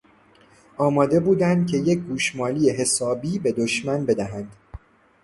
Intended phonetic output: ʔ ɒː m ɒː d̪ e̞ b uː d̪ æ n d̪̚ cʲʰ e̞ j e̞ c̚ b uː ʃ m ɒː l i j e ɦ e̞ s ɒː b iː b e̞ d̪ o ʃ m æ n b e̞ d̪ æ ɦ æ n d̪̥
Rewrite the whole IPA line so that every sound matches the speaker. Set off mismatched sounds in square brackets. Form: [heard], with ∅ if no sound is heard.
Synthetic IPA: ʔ ɒː m ɒː d̪ e̞ b uː d̪ æ n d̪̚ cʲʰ e̞ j e̞ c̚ [ɡ] uː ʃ m ɒː l i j e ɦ e̞ s ɒː b iː b e̞ d̪ o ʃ m æ n b e̞ d̪ æ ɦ æ n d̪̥